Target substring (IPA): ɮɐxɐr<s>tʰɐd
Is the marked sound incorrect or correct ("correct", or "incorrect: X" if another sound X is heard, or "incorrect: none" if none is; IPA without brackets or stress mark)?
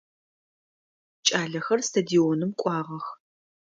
correct